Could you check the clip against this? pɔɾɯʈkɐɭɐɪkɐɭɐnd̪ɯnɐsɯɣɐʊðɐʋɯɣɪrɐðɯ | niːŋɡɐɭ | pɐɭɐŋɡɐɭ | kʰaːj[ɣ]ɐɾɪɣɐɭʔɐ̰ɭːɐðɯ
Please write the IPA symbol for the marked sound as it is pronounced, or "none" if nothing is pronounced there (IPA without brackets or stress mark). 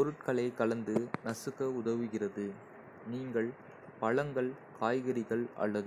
ɣ